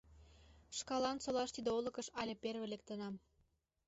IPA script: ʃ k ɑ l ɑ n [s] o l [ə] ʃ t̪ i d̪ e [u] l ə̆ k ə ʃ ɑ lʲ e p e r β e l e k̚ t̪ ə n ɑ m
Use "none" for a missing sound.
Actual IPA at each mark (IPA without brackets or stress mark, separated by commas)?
s, ɑ, o